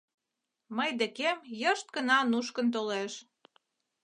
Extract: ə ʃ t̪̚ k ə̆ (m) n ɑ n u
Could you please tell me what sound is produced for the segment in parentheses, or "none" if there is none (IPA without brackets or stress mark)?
none